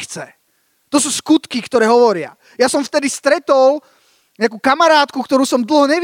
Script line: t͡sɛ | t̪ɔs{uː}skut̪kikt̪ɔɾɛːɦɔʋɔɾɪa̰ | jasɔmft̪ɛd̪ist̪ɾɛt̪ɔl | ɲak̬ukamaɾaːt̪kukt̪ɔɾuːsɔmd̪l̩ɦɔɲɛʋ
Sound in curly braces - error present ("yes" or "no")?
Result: no